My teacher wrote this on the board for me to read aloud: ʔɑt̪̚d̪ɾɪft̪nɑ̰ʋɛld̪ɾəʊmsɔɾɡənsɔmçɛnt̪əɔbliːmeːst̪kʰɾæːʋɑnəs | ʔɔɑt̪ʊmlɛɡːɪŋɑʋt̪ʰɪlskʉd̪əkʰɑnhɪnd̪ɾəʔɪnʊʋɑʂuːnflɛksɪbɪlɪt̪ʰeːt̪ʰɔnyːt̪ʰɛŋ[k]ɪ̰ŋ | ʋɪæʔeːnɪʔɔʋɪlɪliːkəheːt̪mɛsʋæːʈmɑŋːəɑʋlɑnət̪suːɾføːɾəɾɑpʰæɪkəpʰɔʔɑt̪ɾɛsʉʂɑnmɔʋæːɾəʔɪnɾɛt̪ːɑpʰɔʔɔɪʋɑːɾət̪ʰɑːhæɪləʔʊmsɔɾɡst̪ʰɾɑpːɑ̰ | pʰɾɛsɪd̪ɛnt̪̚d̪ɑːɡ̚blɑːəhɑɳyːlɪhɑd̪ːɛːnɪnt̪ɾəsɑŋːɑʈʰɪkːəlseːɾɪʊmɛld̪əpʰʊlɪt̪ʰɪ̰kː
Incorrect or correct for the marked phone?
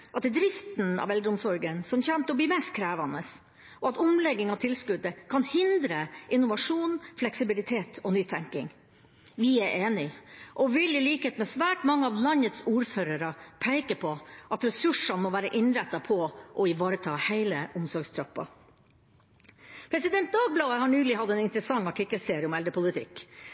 correct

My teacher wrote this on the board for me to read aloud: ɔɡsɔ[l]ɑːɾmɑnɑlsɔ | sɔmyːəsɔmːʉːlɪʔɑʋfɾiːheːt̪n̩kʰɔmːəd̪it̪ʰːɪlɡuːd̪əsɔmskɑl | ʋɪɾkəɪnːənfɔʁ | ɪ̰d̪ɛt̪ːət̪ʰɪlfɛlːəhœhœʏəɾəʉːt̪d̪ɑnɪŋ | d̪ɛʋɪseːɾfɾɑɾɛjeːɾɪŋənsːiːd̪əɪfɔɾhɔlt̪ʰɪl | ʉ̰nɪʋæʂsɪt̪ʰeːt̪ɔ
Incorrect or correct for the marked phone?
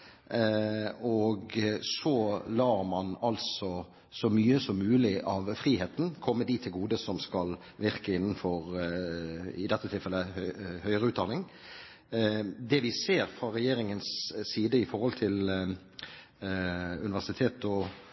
correct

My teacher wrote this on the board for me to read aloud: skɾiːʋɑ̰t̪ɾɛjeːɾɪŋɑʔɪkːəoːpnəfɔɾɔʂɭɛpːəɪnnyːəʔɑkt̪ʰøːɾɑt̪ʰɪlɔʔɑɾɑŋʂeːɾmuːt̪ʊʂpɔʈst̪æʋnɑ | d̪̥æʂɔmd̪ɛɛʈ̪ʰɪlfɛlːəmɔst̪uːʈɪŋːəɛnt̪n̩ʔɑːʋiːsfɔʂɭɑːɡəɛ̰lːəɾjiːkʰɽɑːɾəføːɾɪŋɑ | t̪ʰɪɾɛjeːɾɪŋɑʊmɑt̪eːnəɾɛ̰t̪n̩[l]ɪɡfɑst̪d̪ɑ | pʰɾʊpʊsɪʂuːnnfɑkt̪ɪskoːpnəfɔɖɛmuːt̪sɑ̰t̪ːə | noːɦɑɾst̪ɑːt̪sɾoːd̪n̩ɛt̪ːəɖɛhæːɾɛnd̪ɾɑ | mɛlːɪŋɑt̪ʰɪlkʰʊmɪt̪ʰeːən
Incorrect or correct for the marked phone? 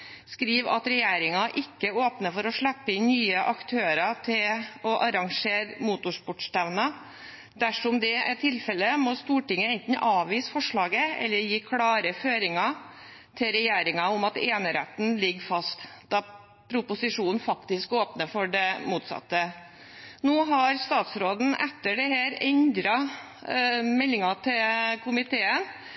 correct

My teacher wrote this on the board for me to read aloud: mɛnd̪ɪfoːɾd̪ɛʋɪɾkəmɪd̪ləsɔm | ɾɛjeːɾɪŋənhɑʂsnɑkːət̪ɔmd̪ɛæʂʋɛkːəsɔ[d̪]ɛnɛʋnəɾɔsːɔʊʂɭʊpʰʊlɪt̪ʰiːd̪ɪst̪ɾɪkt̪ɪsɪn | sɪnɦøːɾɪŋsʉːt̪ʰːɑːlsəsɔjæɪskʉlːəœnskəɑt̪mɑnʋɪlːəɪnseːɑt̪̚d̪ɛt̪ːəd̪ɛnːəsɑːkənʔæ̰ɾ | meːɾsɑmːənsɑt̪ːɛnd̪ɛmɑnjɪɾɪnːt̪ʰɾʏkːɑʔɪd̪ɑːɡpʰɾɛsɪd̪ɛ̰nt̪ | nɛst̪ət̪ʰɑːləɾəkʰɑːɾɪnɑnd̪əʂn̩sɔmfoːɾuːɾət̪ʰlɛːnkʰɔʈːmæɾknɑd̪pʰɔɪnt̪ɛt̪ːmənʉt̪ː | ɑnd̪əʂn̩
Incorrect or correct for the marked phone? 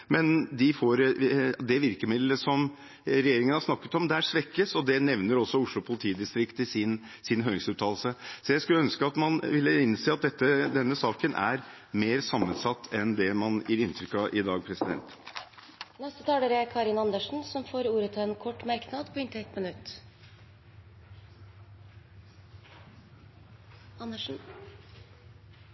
correct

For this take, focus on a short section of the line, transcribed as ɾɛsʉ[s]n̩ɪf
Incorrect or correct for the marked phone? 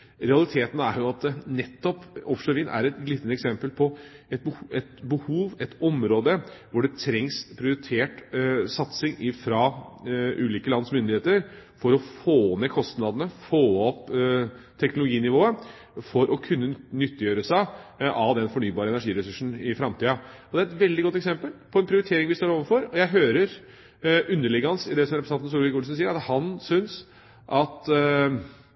incorrect: ʂ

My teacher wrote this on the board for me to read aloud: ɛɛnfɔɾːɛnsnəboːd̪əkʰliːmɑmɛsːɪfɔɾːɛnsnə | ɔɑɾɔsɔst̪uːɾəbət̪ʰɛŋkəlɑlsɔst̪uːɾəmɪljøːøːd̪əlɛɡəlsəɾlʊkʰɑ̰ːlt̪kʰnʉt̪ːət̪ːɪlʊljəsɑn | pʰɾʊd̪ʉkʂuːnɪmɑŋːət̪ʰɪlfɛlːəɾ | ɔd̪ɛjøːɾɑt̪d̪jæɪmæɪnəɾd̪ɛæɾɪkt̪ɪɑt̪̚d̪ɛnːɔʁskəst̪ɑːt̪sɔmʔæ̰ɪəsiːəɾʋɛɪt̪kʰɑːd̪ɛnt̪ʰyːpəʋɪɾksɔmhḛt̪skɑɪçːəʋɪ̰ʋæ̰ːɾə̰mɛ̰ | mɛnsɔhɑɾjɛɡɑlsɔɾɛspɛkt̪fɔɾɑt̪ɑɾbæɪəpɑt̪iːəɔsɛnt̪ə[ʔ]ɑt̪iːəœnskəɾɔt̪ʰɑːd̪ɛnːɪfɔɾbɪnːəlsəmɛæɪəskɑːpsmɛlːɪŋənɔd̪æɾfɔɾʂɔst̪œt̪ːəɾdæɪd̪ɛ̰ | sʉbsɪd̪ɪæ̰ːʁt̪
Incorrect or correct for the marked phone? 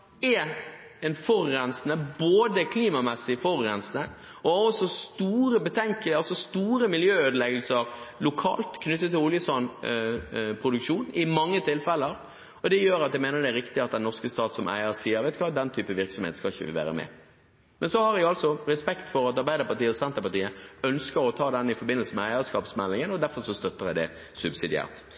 incorrect: p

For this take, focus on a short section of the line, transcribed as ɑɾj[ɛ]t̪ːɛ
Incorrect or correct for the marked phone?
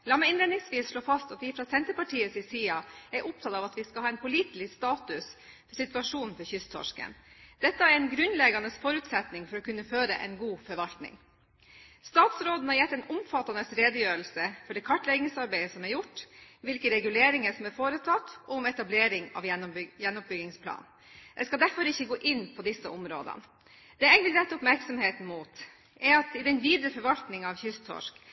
correct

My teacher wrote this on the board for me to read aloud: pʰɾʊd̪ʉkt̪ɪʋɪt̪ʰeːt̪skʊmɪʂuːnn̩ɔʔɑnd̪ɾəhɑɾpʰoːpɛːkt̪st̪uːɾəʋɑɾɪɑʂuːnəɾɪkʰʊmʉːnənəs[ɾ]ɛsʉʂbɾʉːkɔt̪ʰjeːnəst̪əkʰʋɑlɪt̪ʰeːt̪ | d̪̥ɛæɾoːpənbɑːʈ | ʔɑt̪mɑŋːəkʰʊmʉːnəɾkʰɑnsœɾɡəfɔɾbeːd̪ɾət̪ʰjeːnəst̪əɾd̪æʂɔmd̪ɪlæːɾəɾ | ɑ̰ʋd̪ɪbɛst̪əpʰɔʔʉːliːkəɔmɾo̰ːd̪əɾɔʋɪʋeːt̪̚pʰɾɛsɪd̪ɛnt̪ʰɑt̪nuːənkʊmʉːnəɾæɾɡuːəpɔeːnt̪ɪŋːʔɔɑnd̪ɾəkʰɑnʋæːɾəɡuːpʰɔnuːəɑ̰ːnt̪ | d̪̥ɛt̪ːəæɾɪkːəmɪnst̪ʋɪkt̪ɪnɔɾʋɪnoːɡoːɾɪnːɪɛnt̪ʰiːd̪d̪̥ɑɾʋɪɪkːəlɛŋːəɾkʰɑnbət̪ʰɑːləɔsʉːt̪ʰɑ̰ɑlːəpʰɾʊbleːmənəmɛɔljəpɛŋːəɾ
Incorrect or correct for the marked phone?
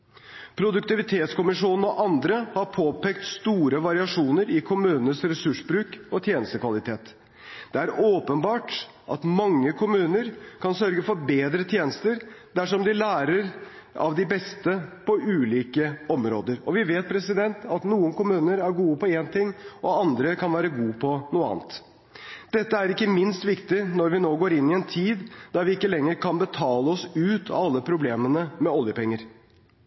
correct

